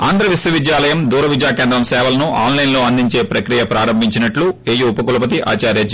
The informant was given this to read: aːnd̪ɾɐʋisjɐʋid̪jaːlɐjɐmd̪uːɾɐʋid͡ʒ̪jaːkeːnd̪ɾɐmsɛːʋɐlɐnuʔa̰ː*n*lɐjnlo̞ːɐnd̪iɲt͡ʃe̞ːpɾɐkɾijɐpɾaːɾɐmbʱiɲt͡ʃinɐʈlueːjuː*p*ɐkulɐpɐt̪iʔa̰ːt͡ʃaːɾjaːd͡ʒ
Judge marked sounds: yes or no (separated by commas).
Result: yes, yes